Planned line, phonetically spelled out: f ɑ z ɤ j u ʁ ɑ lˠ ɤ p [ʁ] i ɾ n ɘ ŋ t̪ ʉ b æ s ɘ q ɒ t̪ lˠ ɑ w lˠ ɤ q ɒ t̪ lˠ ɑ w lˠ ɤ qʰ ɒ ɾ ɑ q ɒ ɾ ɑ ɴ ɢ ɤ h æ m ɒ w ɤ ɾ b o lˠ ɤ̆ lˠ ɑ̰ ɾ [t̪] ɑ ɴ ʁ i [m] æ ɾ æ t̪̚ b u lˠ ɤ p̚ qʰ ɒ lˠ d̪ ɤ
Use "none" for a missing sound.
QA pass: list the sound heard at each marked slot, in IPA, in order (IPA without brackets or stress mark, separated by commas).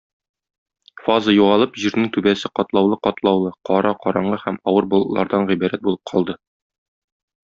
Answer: ʑ, d̪, b